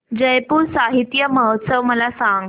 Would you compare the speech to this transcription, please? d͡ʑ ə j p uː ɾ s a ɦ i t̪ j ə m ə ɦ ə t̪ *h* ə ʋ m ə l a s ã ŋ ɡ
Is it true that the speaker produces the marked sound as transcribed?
no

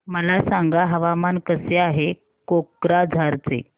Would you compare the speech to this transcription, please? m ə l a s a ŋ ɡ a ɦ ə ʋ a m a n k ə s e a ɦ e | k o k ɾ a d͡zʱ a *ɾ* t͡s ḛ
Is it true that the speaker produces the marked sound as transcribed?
yes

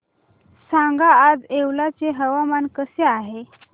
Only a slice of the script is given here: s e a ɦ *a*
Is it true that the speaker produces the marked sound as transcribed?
no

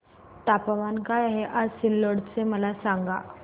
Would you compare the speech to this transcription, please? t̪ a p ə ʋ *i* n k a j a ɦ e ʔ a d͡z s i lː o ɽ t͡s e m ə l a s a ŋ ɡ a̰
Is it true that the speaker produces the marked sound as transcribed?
no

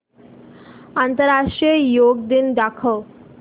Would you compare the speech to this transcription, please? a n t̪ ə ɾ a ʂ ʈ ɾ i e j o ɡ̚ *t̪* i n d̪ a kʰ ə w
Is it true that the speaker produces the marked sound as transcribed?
no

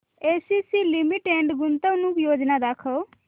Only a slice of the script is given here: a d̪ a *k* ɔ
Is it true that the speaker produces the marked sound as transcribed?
no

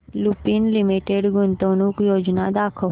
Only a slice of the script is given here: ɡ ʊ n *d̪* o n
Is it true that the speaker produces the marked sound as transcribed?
no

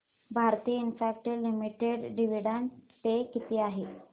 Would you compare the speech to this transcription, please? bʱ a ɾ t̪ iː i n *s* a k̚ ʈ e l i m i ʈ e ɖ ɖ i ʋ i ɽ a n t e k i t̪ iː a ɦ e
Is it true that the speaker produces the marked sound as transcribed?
no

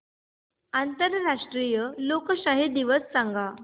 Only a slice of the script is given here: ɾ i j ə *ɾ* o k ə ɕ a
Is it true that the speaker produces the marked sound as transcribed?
no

